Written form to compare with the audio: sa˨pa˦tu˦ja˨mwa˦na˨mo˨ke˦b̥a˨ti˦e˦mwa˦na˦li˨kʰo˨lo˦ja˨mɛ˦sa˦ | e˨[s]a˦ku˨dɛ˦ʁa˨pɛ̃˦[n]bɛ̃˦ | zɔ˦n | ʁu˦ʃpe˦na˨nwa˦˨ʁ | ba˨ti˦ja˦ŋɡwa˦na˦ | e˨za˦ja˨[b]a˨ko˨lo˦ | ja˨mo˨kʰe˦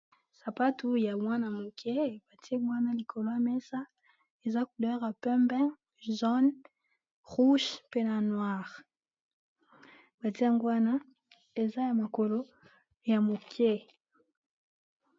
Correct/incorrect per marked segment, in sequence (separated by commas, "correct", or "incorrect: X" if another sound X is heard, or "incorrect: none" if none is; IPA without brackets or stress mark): incorrect: z, incorrect: m, incorrect: m